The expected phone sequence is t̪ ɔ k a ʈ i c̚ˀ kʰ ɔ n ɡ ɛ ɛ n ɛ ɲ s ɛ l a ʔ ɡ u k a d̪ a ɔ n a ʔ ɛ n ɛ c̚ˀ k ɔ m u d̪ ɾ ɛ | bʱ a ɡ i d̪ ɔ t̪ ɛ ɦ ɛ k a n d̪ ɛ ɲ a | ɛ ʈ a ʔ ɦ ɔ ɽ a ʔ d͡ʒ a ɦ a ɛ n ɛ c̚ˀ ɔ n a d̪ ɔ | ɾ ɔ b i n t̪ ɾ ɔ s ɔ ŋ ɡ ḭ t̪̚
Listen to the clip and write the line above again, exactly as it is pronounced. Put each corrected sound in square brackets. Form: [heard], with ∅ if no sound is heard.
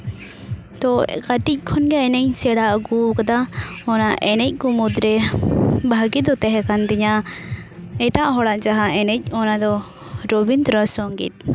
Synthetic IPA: t̪ ɔ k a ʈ i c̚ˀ kʰ ɔ n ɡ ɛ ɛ n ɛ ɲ s ɛ [ɽ] a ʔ ɡ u k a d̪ a ɔ n a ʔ ɛ n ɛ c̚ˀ k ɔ m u d̪ ɾ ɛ | bʱ a ɡ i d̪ ɔ t̪ ɛ ɦ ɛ k a n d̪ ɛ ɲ a | ɛ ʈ a ʔ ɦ ɔ ɽ a ʔ d͡ʒ a ɦ a ɛ n ɛ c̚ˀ ɔ n a d̪ ɔ | ɾ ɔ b i n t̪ ɾ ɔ s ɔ ŋ ɡ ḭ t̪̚